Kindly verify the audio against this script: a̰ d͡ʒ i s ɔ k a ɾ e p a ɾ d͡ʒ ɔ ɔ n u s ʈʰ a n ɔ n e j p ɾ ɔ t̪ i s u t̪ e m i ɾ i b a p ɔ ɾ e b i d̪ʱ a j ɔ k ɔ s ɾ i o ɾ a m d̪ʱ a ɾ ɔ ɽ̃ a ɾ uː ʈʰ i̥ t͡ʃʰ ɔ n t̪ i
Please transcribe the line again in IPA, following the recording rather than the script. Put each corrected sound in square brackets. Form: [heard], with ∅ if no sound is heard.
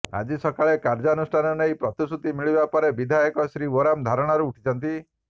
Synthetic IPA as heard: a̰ d͡ʒ i s ɔ k a [ɭ] e [k] a ɾ d͡ʒ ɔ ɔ n u s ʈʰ a n ɔ n e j p ɾ ɔ t̪ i s u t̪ [i] m i [ɭ] i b a p ɔ ɾ e b i d̪ʱ a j ɔ k ɔ s ɾ i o ɾ a m d̪ʱ a ɾ ɔ ɽ̃ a ɾ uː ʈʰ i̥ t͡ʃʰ ɔ n t̪ i